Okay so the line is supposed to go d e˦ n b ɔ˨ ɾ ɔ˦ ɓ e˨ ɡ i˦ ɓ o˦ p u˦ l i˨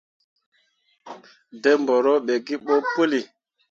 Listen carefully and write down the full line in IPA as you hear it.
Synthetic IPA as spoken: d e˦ m b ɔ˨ ɾ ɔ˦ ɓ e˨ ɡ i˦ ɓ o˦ p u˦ l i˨